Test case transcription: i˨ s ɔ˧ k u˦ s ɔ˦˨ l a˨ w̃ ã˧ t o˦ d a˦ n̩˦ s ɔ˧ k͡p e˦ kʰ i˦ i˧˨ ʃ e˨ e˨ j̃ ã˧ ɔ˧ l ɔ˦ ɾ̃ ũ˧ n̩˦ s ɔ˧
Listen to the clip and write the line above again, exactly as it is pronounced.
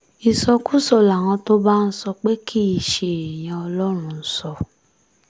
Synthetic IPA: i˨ s ɔ˧ k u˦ s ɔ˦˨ l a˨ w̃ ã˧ t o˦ b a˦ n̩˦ s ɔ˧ k͡p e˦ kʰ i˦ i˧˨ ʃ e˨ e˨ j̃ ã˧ ɔ˧ l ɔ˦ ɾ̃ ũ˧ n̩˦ s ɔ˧